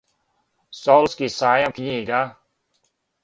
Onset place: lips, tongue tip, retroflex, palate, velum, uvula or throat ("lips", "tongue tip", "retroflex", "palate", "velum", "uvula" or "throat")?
tongue tip